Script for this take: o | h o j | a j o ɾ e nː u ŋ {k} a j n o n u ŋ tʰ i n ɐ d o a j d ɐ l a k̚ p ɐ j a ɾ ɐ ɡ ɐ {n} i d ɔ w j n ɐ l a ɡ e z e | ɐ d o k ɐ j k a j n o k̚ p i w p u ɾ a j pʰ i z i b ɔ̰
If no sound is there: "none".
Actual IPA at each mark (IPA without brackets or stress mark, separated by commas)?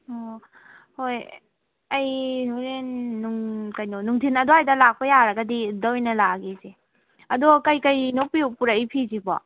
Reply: k, d